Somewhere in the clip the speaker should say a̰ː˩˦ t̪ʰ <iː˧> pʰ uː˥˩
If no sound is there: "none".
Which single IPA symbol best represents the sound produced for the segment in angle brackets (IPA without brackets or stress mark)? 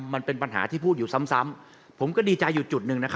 iː˥˩